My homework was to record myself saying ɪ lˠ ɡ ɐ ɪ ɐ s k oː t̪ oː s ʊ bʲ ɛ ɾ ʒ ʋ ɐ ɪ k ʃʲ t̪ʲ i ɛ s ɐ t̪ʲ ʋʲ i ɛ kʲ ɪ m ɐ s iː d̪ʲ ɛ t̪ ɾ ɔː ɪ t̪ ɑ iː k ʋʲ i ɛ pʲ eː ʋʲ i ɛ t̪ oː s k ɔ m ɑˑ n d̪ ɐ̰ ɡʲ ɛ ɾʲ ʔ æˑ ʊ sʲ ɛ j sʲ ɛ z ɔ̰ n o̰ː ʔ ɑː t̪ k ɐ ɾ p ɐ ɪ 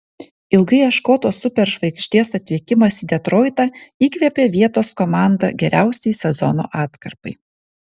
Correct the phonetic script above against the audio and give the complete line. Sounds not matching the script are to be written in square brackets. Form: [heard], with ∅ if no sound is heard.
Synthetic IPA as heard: ɪ lˠ ɡ ɐ ɪ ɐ [ʃ] k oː t̪ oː s ʊ [pʲ] ɛ ɾ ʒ ʋ ɐ ɪ k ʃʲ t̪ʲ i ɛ s ɐ t̪ʲ ʋʲ i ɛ kʲ ɪ m ɐ s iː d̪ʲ ɛ t̪ ɾ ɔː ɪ t̪ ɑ iː k ʋʲ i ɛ pʲ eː ʋʲ i ɛ t̪ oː s k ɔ m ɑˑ n d̪ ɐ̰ ɡʲ ɛ ɾʲ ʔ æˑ ʊ sʲ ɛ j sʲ ɛ z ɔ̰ n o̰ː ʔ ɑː t̪ k ɐ ɾ p ɐ ɪ